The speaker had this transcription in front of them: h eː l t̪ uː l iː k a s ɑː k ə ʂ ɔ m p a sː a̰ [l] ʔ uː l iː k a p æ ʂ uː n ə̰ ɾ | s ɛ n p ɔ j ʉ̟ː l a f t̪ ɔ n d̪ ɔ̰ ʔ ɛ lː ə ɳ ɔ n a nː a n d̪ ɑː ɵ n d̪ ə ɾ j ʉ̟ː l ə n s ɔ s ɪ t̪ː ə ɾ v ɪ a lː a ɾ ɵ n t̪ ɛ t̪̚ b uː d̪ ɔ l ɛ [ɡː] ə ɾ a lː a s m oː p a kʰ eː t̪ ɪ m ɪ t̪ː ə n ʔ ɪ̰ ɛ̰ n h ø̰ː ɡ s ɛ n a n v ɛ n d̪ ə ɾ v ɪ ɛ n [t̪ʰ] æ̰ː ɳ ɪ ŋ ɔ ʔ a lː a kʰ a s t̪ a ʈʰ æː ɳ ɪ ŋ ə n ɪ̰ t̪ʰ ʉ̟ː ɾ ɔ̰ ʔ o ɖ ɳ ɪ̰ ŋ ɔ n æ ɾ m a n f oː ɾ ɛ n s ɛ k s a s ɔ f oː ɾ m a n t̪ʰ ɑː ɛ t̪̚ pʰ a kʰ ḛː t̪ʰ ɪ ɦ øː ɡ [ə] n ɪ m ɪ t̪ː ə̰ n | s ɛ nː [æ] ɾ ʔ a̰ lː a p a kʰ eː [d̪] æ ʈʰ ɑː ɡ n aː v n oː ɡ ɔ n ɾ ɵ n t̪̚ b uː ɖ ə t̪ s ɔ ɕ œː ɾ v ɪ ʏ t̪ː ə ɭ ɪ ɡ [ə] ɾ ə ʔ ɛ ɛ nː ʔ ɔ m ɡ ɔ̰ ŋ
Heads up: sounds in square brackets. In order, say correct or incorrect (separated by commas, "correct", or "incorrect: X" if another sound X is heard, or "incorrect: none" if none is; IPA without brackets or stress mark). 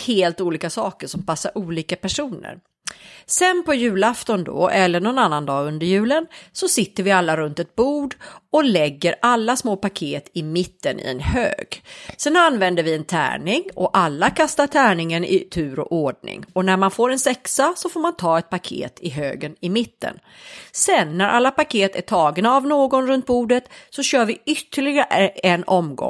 incorrect: ɾ, correct, correct, correct, correct, incorrect: t̪, incorrect: a